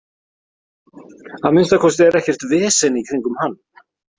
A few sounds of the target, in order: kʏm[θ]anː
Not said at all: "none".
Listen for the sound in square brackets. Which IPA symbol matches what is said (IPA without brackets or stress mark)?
h